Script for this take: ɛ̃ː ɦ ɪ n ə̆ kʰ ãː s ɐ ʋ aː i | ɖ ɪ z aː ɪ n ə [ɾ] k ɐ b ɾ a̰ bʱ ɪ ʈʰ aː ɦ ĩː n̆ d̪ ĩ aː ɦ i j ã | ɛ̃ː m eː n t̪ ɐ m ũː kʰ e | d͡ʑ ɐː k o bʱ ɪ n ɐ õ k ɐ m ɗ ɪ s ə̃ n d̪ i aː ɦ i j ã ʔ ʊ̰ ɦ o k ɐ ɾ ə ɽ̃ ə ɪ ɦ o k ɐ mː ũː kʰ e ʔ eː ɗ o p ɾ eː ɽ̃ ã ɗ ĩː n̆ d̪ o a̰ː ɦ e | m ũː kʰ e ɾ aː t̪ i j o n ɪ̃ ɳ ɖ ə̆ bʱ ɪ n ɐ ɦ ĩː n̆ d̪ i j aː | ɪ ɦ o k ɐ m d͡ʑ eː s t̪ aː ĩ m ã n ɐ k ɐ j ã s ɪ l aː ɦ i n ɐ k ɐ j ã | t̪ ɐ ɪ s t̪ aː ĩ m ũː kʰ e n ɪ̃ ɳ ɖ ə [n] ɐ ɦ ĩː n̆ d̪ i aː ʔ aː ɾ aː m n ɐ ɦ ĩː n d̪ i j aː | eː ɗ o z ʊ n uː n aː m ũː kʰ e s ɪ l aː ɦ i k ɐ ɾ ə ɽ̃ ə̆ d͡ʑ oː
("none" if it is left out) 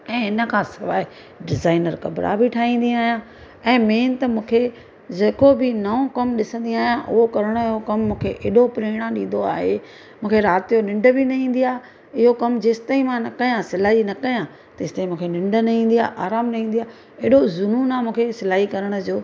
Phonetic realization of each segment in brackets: ɾ, n

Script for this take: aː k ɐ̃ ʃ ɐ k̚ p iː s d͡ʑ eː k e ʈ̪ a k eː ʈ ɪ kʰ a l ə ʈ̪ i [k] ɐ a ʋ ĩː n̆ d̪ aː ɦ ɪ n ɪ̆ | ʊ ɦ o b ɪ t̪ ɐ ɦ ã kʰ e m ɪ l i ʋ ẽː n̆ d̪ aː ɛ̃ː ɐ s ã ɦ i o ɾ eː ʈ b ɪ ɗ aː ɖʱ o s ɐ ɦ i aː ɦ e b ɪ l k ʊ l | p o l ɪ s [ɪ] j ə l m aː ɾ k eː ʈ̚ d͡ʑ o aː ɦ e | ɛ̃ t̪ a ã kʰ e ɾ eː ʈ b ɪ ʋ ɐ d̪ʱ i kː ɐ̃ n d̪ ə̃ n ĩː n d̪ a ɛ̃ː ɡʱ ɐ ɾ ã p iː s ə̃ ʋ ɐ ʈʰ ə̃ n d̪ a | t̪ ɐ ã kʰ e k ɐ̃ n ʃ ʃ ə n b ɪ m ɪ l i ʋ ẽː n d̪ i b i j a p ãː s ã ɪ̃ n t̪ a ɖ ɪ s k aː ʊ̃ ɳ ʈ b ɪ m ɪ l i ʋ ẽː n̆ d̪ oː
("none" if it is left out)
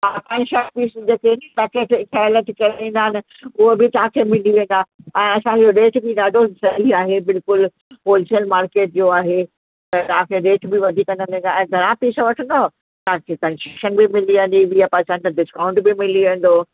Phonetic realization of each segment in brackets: k, i

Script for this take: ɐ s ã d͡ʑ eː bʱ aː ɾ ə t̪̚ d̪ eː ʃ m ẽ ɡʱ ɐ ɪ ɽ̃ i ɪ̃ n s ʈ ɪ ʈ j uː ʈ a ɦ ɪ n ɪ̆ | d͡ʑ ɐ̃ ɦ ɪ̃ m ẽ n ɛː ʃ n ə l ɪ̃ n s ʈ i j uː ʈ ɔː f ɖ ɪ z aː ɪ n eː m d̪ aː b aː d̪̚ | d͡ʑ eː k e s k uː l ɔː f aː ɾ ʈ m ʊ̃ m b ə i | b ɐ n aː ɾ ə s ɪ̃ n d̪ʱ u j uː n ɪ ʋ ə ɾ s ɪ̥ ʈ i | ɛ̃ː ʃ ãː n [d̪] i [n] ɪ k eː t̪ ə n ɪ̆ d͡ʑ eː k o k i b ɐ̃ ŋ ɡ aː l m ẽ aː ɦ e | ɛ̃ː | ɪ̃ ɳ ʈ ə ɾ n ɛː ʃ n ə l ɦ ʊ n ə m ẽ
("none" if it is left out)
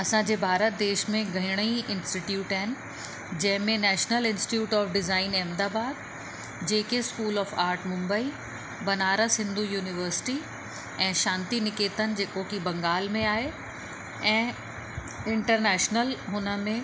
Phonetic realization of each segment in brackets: t̪, n

